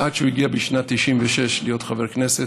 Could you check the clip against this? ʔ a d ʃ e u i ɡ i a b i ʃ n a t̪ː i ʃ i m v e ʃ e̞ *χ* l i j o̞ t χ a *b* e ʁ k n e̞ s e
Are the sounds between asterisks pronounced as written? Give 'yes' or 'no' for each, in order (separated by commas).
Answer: no, no